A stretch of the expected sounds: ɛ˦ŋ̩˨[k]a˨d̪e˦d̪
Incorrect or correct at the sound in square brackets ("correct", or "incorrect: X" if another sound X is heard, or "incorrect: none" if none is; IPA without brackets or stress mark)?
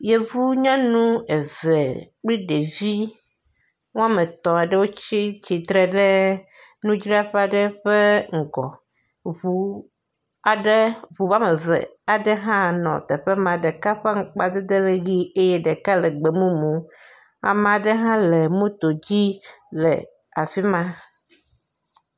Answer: incorrect: k͡p